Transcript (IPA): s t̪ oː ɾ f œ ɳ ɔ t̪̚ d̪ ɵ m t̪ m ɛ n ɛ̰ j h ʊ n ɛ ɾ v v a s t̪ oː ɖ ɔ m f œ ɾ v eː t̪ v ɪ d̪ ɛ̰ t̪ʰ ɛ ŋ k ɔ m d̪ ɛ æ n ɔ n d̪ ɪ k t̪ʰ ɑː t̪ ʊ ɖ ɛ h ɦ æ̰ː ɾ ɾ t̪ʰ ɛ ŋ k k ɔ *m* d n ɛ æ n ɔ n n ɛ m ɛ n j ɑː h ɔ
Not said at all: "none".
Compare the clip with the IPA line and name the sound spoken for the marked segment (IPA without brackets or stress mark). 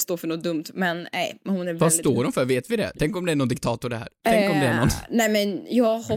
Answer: m